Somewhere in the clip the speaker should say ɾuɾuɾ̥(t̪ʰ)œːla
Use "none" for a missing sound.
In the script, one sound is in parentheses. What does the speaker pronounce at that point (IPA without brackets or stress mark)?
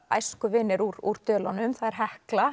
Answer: t̪